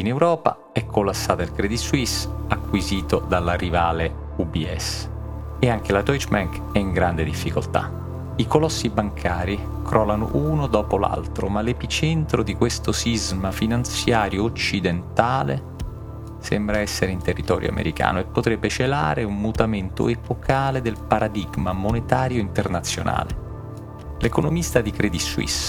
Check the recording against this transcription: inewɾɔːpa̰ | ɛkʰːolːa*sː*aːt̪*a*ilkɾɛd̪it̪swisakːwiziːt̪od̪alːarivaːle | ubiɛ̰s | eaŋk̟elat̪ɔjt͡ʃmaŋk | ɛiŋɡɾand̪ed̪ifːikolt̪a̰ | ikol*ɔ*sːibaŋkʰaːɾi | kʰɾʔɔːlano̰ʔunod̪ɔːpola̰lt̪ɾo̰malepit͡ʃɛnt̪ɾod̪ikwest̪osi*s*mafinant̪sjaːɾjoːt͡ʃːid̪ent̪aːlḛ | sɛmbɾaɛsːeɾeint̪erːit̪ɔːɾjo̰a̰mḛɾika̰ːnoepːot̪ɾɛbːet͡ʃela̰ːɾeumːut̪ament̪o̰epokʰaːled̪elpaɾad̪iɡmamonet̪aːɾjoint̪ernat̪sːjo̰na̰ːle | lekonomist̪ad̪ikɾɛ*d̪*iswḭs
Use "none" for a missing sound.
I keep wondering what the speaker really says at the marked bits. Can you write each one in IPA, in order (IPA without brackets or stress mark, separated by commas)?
sː, a, ɔ, z, d̪